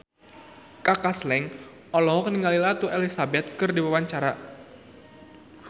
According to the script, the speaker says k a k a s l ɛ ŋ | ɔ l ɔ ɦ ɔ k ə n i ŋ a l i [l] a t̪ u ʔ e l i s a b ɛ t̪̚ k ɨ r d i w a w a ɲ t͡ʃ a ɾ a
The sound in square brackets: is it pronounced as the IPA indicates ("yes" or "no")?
yes